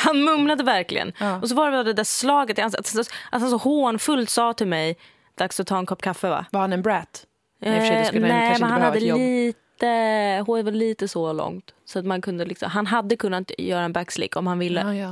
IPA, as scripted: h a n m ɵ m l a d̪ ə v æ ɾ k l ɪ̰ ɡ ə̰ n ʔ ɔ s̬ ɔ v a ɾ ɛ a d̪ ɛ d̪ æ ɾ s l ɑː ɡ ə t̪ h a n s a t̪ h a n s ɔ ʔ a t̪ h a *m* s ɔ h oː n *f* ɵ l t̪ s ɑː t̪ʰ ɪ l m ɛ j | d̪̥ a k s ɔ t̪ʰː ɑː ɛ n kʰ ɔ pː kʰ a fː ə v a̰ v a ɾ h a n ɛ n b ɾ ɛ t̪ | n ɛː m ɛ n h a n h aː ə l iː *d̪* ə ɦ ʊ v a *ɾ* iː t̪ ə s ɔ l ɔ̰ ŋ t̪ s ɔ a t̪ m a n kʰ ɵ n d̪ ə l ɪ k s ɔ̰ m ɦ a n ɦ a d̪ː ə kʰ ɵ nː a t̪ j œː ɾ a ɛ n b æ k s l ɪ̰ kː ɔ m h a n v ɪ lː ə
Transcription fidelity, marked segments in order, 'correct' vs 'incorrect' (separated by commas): incorrect, correct, incorrect, incorrect